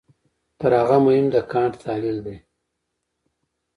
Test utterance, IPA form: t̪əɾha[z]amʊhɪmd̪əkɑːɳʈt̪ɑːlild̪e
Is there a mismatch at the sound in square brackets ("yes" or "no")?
yes